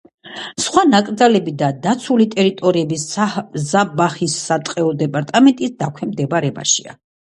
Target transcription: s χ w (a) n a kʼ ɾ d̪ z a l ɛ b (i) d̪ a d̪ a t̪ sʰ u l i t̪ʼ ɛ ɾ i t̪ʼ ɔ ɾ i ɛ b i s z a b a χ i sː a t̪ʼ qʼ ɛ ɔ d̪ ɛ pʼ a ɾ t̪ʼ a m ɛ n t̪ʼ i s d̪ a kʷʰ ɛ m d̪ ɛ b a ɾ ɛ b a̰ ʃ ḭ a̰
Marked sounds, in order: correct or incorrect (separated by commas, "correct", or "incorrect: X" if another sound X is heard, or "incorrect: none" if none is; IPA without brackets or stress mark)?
correct, correct